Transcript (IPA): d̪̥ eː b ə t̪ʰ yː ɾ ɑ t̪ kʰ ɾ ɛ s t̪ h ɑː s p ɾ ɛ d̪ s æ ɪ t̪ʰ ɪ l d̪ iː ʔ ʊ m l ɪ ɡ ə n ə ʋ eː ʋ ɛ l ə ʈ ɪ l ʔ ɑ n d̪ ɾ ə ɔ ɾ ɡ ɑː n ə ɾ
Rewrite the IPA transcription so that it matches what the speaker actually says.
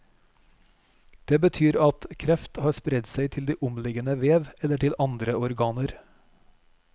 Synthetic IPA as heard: d̪̥ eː b ə t̪ʰ yː ɾ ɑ t̪ kʰ ɾ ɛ f t̪ h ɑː s p ɾ ɛ d̪ s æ ɪ t̪ʰ ɪ l d̪ iː ʔ ʊ m l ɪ ɡ ə n ə ʋ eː ʋ ɛ l ə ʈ ɪ l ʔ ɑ n d̪ ɾ ə ɔ ɾ ɡ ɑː n ə ɾ